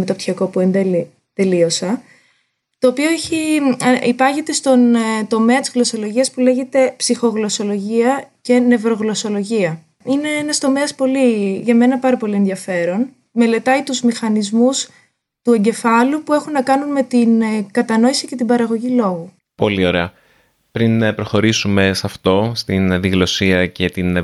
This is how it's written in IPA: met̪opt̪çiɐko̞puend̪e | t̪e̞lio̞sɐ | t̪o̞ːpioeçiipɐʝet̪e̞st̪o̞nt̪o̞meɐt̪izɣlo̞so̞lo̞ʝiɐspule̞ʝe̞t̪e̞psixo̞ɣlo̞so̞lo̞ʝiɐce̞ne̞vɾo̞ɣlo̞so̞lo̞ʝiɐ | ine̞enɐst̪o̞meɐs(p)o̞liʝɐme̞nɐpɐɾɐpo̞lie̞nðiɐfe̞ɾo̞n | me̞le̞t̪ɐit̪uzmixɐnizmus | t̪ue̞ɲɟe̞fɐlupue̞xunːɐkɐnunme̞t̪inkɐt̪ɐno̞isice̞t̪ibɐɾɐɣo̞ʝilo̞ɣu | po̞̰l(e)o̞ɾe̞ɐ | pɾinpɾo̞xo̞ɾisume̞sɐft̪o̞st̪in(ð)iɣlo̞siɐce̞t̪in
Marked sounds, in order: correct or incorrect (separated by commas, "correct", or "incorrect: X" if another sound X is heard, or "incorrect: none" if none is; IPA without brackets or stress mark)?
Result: correct, incorrect: i, correct